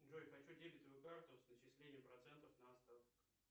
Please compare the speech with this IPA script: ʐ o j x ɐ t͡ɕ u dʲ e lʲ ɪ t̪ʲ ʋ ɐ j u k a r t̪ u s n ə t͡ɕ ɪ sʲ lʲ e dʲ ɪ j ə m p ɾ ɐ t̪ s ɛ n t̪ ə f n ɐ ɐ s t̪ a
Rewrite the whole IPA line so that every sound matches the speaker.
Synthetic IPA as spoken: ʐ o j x ɐ t͡ɕ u dʲ e lʲ ɪ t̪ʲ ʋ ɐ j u k a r t̪ ʊ s n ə t͡ɕ ɪ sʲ lʲ e nʲ ɪ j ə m p ɾ ɐ t̪ s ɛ n t̪ ə f n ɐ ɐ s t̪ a